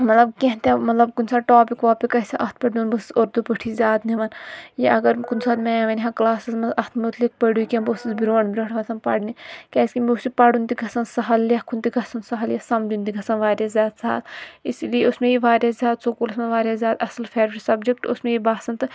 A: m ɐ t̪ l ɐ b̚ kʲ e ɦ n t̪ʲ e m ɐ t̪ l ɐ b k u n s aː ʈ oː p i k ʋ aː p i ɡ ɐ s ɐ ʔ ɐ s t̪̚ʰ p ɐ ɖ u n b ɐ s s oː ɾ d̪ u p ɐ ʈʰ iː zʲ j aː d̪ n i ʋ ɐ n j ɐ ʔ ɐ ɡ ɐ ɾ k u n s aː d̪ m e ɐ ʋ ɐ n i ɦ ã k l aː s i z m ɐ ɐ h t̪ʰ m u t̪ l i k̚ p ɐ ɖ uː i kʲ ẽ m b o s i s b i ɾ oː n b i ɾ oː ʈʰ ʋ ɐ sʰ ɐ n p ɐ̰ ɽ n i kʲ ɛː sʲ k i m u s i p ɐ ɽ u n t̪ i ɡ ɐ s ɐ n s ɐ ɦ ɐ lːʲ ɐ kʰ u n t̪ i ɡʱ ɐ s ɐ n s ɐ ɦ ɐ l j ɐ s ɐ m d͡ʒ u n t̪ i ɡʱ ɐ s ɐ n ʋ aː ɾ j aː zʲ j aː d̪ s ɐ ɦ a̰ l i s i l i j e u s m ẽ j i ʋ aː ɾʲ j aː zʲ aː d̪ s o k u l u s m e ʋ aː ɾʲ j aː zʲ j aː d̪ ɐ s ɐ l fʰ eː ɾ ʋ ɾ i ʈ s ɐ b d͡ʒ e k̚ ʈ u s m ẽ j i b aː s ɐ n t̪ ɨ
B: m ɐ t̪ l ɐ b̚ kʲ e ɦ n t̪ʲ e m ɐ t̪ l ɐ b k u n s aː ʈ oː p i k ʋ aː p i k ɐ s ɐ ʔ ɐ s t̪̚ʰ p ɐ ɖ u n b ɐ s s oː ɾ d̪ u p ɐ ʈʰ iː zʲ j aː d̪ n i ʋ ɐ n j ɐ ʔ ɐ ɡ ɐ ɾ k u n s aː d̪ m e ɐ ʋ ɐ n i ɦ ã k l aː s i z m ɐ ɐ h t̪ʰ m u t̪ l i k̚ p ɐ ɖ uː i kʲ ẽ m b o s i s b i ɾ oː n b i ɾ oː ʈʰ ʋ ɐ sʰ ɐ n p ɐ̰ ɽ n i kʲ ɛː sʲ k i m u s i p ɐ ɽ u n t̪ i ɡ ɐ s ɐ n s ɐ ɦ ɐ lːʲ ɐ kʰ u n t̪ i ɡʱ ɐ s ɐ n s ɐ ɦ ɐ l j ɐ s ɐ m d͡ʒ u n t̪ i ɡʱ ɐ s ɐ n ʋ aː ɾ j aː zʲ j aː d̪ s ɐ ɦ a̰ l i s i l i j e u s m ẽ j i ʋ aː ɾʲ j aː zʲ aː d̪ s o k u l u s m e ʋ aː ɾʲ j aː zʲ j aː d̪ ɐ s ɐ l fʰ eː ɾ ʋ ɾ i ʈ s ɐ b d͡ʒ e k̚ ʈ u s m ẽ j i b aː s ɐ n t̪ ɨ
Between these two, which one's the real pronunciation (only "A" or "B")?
B